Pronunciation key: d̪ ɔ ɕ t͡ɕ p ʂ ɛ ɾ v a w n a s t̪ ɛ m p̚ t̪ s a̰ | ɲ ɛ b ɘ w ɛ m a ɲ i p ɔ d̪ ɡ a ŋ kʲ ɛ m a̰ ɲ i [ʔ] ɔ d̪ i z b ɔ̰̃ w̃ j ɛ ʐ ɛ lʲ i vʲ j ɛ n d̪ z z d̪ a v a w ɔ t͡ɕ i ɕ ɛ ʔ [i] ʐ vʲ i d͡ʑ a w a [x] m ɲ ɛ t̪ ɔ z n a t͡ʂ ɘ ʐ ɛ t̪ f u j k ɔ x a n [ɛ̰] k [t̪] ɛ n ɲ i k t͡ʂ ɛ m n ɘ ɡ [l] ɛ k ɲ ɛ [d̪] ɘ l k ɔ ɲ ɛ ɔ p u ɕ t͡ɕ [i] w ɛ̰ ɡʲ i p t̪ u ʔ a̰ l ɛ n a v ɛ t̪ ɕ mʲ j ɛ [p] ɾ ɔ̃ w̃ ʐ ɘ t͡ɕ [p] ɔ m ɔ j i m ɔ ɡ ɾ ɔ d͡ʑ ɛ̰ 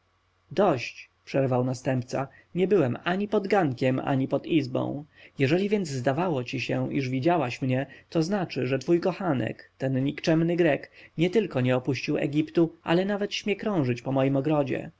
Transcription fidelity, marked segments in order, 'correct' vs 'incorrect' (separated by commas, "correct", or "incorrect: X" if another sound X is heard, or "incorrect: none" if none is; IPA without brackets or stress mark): incorrect: p, correct, incorrect: ɕ, correct, correct, incorrect: ɾ, incorrect: t̪, correct, incorrect: k, correct